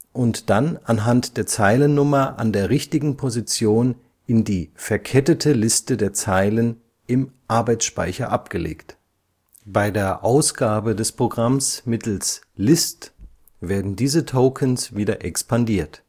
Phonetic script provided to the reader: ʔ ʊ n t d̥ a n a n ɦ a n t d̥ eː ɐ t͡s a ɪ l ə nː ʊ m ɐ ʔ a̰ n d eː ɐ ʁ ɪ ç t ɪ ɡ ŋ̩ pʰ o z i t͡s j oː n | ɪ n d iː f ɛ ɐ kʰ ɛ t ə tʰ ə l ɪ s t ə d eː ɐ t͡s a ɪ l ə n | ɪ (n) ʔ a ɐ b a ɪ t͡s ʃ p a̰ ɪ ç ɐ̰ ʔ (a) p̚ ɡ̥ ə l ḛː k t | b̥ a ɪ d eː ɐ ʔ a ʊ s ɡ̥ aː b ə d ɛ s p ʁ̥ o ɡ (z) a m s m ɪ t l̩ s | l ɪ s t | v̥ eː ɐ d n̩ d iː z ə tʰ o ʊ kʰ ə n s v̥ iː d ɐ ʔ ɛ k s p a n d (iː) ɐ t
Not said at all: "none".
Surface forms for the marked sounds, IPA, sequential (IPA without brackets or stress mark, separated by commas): m, a, ʁ, iː